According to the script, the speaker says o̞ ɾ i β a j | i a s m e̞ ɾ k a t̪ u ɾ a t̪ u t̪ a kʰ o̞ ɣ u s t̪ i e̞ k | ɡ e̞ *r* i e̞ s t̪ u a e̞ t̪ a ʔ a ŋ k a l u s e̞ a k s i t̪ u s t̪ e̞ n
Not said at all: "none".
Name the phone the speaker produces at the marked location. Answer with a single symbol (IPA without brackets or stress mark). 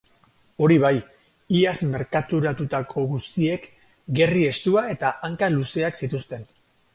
r